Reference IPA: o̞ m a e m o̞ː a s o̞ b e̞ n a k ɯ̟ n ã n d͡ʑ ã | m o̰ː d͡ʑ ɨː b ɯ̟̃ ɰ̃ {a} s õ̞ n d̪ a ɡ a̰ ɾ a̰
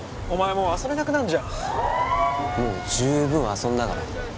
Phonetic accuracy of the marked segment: correct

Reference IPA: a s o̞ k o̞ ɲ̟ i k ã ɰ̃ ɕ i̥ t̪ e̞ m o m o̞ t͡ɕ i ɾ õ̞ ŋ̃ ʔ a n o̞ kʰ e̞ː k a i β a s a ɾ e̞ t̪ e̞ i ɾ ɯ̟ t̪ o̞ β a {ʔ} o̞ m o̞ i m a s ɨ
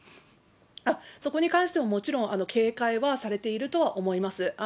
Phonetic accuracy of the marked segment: correct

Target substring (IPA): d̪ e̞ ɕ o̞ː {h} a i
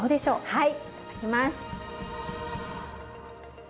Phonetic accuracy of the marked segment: correct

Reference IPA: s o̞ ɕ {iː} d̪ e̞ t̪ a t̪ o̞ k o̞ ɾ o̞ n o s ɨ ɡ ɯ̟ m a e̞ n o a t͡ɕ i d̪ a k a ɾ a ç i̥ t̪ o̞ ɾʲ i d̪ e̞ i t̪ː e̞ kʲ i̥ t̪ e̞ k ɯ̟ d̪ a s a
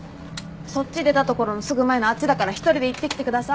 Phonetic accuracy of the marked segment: incorrect: i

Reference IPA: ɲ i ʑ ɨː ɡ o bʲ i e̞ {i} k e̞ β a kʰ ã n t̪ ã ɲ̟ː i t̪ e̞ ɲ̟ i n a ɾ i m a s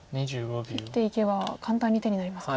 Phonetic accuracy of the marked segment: correct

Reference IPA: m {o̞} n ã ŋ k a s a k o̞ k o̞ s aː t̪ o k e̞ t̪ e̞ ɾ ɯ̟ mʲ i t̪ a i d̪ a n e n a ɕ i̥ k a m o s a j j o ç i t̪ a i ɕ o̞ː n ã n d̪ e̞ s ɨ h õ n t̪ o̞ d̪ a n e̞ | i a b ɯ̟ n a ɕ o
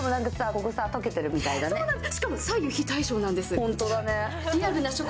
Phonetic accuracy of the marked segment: correct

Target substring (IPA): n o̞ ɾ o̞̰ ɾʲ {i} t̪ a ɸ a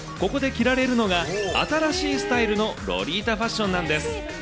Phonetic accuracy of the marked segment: incorrect: iː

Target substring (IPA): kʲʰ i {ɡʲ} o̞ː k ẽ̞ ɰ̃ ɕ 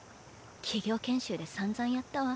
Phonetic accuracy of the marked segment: correct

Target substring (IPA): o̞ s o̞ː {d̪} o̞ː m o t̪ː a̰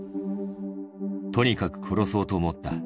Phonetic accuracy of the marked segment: incorrect: t̪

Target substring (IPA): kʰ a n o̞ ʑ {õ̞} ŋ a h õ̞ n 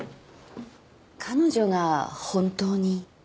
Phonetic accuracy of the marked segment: incorrect: o̞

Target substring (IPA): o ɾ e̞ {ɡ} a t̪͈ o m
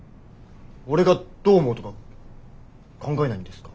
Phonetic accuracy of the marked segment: correct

